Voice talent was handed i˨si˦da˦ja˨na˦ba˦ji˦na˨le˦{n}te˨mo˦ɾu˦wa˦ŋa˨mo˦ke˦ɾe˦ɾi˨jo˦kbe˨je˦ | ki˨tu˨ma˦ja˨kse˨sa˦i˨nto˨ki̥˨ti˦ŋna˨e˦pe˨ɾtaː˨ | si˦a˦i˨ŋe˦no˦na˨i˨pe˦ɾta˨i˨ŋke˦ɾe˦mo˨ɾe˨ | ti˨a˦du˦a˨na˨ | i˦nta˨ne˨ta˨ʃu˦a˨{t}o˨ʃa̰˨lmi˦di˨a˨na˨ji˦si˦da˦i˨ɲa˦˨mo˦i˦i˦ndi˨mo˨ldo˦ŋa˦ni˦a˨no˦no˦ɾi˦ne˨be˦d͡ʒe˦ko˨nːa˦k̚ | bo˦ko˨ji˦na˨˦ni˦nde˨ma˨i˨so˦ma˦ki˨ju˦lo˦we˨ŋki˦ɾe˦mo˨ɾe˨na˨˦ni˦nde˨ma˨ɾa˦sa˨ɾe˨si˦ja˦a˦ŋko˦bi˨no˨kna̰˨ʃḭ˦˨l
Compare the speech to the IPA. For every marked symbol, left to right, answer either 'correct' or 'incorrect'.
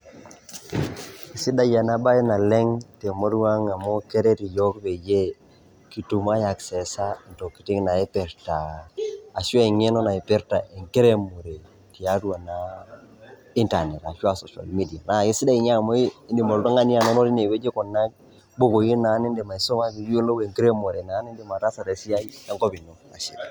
incorrect, incorrect

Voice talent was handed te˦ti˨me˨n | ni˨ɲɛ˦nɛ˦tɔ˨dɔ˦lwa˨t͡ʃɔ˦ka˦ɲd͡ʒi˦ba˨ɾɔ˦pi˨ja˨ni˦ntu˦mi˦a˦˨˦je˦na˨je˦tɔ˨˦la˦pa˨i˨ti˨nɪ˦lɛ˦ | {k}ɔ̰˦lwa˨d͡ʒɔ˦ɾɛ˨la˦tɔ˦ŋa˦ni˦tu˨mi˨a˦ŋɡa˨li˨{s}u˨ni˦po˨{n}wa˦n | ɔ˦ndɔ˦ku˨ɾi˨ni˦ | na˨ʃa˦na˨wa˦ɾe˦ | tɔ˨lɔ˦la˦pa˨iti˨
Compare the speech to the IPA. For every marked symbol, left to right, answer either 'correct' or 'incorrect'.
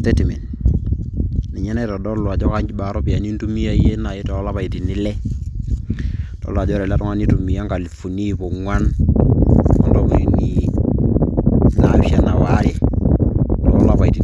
incorrect, incorrect, incorrect

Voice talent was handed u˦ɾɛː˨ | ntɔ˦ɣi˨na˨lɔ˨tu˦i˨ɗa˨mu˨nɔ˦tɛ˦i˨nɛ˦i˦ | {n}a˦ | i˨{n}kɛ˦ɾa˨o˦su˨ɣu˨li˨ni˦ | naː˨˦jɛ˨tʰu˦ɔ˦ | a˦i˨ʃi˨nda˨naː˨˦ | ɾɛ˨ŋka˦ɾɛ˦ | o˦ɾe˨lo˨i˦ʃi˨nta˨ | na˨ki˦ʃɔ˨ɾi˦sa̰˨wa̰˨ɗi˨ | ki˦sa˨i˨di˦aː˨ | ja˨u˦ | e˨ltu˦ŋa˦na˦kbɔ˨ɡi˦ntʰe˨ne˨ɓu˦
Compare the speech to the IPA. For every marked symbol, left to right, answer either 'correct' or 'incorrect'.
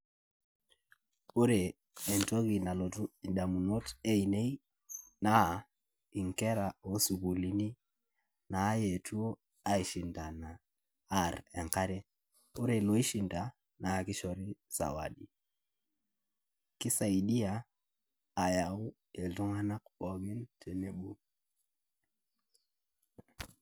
correct, incorrect

